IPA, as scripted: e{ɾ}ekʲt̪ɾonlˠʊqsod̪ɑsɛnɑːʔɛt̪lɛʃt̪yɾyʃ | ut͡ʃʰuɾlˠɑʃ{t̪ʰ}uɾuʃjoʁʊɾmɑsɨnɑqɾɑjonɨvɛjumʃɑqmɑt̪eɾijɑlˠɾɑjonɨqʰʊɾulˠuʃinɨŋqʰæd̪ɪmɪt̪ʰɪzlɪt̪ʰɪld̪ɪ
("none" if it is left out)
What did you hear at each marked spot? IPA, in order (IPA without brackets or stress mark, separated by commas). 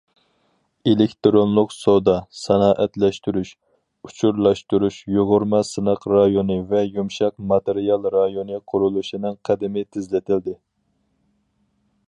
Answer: l, t̪